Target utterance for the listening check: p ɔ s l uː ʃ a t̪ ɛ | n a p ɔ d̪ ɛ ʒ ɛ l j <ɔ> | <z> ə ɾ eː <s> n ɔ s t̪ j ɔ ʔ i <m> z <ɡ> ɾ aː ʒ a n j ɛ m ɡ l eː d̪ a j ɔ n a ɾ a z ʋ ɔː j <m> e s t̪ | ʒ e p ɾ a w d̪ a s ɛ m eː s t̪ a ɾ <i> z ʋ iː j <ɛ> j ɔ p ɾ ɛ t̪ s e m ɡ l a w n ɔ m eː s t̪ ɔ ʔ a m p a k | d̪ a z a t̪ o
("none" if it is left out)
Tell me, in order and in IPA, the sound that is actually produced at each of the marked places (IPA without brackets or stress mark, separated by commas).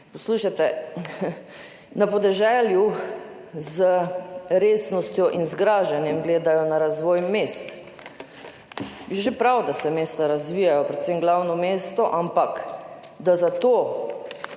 u, z, s, n, ɡ, m, a, a